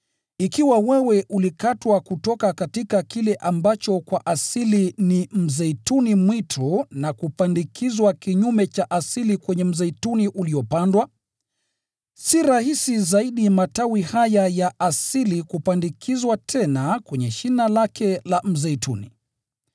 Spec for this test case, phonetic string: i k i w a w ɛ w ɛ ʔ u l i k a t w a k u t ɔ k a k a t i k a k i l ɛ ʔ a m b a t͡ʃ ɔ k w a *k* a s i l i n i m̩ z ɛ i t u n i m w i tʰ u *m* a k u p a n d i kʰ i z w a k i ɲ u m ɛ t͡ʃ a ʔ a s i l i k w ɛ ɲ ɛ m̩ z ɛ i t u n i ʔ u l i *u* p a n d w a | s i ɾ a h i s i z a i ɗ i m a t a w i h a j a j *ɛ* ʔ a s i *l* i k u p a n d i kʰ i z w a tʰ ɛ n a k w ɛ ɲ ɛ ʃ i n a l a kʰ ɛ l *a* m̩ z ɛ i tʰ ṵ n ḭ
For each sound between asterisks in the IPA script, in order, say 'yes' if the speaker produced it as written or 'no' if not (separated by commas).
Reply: no, no, no, no, yes, yes